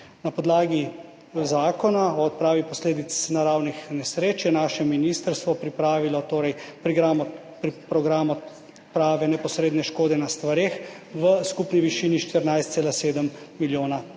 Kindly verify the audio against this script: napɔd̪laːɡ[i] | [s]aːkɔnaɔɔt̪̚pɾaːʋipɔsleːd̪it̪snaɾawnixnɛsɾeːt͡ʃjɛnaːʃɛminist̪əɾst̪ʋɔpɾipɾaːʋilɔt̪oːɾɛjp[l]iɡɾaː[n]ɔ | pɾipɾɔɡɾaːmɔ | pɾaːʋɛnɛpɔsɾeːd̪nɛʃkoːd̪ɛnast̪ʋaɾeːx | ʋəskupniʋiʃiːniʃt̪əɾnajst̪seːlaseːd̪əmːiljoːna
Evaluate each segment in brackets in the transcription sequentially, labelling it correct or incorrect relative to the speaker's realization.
correct, incorrect, incorrect, incorrect

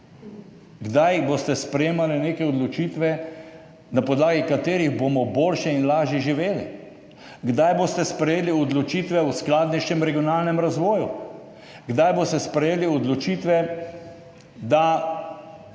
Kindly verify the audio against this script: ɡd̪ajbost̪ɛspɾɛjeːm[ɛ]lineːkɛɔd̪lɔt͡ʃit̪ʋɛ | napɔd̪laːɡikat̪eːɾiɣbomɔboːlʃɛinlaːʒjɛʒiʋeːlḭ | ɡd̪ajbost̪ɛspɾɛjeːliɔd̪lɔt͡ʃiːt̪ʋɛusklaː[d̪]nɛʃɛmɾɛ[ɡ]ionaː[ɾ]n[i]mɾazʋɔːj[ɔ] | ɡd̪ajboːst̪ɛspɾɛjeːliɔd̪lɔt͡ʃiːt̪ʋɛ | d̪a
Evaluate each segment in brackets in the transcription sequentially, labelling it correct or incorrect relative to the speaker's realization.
incorrect, correct, correct, incorrect, incorrect, incorrect

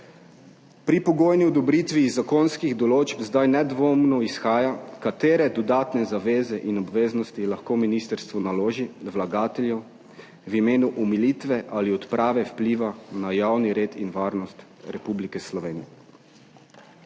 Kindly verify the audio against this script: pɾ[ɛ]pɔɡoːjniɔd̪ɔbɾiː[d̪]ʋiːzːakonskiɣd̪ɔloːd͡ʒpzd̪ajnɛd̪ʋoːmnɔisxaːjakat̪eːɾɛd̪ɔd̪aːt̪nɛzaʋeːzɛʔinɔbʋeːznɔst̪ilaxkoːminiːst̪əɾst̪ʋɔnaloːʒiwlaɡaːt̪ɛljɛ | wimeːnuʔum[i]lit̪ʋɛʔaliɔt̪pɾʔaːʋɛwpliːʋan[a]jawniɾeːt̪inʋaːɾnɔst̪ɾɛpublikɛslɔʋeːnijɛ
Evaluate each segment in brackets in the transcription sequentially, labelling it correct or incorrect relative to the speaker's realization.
incorrect, incorrect, correct, correct

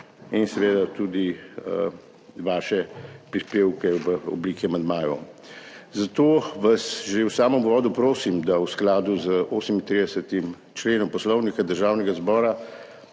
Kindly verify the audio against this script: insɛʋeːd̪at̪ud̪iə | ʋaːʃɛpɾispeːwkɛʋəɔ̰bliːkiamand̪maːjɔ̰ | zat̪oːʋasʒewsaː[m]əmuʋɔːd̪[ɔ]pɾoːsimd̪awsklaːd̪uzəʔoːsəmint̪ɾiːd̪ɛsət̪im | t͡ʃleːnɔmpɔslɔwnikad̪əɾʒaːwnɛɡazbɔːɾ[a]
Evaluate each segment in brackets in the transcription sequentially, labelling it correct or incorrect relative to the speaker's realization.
correct, incorrect, correct

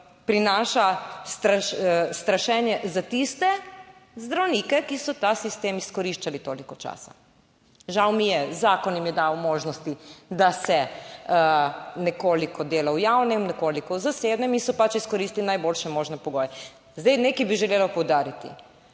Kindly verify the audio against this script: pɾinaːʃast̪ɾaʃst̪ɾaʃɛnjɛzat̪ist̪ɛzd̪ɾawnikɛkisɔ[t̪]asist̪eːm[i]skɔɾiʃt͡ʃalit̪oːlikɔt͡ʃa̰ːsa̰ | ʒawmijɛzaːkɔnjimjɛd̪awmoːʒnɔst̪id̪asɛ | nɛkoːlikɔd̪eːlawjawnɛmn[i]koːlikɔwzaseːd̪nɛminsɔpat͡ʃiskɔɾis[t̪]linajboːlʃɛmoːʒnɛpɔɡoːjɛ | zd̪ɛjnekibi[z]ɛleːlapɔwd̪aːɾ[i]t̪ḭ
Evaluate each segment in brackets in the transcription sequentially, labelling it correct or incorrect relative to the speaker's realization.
correct, correct, incorrect, correct, incorrect, correct

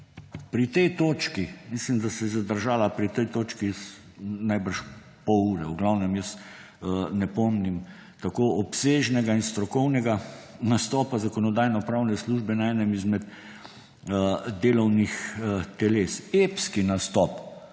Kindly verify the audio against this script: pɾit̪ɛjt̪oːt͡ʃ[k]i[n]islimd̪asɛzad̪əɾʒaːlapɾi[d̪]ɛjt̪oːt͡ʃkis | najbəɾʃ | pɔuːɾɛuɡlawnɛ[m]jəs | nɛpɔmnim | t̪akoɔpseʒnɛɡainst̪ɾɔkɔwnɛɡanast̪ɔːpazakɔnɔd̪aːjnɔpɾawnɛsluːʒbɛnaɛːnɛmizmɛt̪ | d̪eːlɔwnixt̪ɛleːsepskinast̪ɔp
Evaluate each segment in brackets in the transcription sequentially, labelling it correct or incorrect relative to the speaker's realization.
correct, incorrect, incorrect, correct

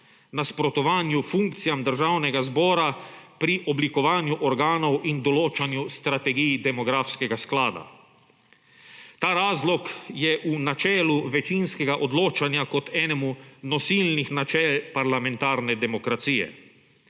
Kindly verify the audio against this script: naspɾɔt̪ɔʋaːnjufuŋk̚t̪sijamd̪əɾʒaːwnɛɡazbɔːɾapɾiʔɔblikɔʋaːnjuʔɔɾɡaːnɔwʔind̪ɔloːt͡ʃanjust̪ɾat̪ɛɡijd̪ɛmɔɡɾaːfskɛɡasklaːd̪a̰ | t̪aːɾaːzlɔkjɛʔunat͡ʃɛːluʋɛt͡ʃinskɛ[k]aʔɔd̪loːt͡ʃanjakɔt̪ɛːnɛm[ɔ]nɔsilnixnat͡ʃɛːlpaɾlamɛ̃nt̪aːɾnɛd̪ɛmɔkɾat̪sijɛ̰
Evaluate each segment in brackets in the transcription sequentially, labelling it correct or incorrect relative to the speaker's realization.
incorrect, incorrect

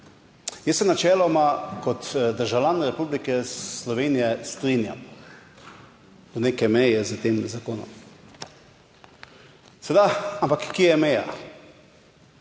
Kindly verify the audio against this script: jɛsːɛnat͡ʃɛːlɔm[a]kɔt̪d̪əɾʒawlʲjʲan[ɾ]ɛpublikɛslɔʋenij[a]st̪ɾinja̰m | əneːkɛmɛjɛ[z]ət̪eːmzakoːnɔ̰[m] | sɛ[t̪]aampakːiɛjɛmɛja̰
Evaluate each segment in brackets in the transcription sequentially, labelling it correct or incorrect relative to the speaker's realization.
correct, correct, incorrect, correct, correct, incorrect

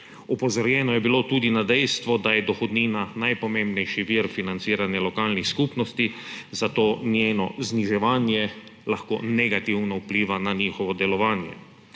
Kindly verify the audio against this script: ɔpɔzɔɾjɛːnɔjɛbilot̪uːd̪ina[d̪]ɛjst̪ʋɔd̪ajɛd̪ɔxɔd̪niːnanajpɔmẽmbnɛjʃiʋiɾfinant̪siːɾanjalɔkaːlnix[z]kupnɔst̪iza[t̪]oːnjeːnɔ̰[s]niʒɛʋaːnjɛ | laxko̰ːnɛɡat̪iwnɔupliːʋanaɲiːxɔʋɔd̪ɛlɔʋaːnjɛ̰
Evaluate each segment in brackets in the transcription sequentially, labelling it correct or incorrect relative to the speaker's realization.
correct, incorrect, correct, incorrect

